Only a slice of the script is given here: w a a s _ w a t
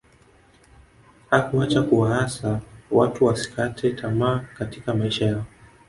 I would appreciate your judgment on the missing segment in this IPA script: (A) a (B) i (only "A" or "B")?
A